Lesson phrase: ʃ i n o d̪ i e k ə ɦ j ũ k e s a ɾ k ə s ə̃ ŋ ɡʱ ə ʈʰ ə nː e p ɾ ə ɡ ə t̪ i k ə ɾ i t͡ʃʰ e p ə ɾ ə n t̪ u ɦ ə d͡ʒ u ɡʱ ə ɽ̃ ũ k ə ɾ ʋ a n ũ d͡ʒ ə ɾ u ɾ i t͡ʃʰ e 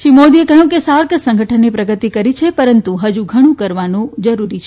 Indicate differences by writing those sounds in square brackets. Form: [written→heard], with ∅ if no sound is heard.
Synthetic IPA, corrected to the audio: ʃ i [n→m] o d̪ i e k ə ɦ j ũ k e s a ɾ k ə s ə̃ ŋ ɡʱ ə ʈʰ ə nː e p ɾ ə ɡ ə t̪ i k ə ɾ i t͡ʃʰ e p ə ɾ ə n t̪ u ɦ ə d͡ʒ u ɡʱ ə ɽ̃ ũ k ə ɾ ʋ a n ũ d͡ʒ ə ɾ u ɾ i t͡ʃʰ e